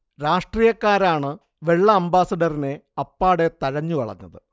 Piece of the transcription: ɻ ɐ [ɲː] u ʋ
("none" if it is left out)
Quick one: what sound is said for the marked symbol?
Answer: ɲː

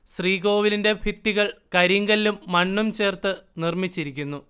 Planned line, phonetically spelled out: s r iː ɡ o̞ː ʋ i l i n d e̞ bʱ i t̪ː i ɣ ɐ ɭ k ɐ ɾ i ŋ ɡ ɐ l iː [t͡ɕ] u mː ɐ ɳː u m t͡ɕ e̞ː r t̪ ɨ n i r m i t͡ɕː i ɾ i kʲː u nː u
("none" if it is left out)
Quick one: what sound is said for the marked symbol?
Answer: none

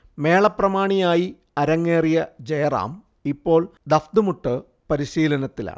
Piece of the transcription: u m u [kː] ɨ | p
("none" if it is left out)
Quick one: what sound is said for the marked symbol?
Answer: ʈː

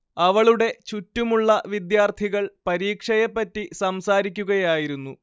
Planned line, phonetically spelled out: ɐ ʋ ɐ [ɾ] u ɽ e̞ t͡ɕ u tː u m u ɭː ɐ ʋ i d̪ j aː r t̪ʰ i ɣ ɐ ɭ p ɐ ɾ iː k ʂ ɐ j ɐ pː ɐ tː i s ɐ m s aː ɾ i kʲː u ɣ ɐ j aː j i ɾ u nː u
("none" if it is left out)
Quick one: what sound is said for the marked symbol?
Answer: ɭ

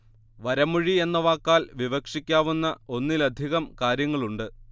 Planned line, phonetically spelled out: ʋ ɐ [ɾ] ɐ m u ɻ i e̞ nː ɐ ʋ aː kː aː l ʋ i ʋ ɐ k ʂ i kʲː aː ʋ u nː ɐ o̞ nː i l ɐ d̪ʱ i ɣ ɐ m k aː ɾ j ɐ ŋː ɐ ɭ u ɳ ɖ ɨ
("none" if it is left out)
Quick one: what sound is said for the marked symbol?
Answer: ɾ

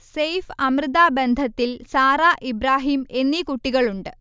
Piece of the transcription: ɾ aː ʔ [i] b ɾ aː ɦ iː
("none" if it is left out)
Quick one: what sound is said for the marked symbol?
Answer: i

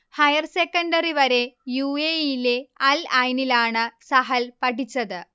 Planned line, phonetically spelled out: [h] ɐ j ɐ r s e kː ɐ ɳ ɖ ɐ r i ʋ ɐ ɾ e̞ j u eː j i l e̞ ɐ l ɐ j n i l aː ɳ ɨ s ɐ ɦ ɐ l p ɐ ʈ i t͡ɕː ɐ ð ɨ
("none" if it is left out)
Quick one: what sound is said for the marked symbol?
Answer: h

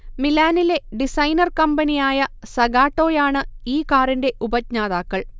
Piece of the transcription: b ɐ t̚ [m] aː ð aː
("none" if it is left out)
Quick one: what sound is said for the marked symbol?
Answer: ɲ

